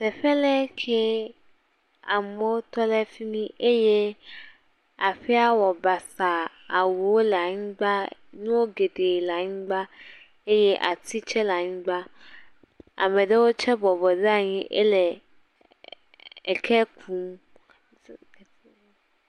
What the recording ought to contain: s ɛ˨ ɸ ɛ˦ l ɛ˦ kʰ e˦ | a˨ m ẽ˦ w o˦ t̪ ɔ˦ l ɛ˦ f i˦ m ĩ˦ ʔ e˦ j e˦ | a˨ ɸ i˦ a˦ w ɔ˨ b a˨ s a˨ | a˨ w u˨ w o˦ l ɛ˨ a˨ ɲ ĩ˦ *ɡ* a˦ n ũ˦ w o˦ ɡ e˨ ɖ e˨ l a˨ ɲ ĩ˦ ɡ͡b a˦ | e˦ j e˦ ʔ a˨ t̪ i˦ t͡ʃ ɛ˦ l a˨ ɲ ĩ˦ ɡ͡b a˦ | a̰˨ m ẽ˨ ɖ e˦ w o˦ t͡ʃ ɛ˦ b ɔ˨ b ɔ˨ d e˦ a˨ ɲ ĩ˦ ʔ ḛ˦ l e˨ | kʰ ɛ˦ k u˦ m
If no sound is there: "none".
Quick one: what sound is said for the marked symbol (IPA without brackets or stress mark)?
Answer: ɡ͡b